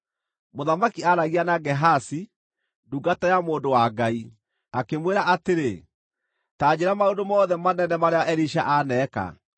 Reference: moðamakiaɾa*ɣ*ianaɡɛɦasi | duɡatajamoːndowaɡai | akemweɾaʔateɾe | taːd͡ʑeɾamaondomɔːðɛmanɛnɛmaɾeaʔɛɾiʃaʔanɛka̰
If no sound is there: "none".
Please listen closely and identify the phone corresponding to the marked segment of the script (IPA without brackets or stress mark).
ɣ